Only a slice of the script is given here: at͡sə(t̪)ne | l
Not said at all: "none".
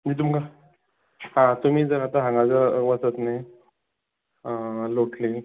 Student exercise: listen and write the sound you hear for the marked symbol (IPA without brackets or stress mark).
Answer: t̪